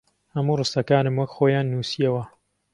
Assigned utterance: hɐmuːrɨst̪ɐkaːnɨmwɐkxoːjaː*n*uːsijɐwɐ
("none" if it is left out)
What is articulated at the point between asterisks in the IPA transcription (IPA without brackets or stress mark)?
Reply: nː